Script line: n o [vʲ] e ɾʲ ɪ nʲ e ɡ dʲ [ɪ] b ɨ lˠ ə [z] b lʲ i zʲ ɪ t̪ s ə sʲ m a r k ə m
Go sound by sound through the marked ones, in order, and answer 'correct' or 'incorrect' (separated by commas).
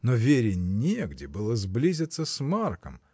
correct, correct, correct